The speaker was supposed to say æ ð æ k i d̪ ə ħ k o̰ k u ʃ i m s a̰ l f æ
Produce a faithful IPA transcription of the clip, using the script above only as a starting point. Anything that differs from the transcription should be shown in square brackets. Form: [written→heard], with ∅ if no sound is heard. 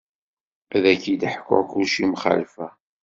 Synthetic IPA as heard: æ ð æ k i d̪ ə ħ k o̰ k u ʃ i m [s→χ] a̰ l f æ